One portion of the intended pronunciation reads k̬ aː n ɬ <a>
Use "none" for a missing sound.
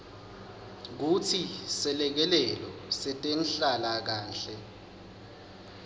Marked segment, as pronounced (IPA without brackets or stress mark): ɛ